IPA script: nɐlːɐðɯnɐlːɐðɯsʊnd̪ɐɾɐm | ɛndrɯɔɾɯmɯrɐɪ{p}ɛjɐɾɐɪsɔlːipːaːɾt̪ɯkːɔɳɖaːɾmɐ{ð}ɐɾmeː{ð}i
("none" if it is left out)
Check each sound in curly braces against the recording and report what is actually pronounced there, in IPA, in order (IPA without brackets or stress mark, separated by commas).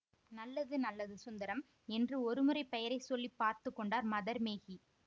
p, ð, ɣ